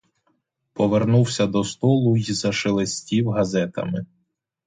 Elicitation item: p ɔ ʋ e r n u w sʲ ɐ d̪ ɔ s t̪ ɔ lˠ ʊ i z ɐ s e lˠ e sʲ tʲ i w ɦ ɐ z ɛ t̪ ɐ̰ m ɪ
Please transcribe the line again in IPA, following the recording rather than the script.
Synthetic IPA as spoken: p ɔ ʋ e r n u w sʲ ɐ d̪ ɔ s t̪ ɔ lˠ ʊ i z ɐ ʃ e lˠ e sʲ tʲ i w ɦ ɐ z ɛ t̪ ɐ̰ m ɪ